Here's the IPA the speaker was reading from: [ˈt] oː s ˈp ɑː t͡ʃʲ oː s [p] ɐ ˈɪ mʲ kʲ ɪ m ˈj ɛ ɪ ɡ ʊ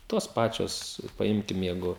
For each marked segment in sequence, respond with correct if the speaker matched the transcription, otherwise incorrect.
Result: correct, correct

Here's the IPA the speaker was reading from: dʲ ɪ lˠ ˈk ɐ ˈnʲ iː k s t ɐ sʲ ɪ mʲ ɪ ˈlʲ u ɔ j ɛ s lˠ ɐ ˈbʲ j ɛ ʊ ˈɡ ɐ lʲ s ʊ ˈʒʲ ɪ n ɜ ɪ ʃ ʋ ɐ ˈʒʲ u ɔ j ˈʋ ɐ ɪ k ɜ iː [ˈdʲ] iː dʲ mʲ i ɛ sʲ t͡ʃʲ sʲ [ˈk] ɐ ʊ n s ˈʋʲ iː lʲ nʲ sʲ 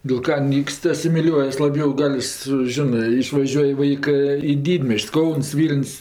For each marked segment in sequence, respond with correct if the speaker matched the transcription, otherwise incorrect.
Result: correct, correct

